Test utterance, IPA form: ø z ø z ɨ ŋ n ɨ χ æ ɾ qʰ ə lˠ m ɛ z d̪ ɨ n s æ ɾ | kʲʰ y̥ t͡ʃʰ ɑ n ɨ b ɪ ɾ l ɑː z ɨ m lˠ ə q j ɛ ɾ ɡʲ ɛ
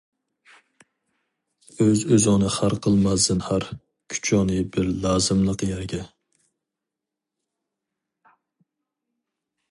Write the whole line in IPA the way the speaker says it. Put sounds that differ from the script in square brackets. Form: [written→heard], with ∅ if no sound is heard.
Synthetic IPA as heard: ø z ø z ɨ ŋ n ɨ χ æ ɾ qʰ ə lˠ m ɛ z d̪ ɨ n [s→h] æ ɾ | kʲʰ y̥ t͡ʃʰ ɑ n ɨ b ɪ ɾ l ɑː z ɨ m lˠ ə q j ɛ ɾ ɡʲ ɛ